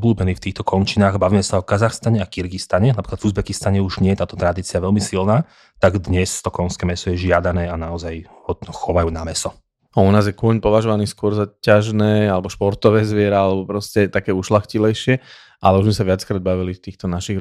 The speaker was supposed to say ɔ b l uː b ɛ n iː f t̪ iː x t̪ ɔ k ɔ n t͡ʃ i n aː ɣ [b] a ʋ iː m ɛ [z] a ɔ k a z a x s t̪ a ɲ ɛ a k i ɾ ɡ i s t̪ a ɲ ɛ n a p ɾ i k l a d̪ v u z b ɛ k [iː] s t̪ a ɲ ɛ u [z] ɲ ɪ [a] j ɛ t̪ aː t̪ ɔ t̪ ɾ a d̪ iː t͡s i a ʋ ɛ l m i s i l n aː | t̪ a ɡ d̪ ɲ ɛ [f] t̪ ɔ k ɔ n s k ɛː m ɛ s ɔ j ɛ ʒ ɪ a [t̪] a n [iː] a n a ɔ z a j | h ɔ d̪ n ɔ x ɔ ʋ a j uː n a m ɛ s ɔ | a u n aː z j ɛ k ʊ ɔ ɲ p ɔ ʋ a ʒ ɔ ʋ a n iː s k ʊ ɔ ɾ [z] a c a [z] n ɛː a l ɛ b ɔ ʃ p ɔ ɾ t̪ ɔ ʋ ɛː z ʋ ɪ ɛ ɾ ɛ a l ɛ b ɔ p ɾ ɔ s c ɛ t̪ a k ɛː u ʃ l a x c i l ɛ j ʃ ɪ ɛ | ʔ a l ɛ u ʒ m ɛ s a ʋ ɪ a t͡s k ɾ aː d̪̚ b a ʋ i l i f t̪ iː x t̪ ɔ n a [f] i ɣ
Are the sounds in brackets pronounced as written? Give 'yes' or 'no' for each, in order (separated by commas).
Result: yes, no, no, no, no, no, no, no, yes, no, no